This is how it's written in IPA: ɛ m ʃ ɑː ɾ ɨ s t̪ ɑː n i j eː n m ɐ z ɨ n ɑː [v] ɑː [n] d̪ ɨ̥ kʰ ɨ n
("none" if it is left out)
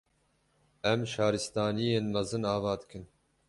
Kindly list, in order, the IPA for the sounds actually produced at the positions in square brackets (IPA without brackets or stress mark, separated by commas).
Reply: v, none